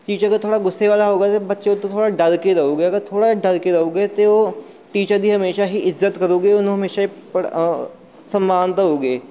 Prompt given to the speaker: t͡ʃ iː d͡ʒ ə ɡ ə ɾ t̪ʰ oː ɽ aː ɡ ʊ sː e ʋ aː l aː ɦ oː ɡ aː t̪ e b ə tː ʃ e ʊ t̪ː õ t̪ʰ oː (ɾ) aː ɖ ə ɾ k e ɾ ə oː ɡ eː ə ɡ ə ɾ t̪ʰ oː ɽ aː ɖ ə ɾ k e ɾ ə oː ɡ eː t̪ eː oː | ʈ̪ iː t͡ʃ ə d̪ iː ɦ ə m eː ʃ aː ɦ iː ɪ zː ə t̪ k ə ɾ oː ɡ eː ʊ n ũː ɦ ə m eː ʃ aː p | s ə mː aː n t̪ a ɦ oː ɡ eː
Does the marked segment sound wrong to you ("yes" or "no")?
yes